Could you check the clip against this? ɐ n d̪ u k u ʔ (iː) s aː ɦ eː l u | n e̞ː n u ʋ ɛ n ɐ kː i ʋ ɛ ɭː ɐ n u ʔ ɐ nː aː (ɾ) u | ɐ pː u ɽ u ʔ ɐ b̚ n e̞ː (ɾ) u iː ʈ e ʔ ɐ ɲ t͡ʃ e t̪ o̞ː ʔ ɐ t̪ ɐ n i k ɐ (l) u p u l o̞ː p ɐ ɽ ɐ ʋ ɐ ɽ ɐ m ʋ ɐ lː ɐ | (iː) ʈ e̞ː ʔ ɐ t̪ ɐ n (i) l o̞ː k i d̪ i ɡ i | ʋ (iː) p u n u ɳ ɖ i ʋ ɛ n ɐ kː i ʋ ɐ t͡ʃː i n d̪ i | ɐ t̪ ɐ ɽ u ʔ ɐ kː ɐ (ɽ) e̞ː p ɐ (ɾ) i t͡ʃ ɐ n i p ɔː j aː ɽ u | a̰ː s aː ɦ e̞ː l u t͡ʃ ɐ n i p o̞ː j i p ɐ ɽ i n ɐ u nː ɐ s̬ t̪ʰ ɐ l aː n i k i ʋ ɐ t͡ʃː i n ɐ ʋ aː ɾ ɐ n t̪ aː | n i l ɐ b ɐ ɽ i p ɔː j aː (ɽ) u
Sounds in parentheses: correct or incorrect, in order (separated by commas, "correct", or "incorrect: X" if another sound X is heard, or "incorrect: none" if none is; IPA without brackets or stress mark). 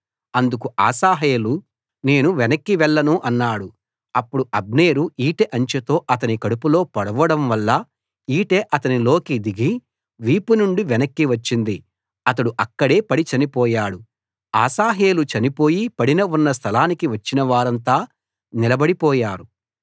incorrect: aː, incorrect: ɽ, correct, incorrect: ɽ, correct, correct, correct, correct, incorrect: ɽ, incorrect: ɾ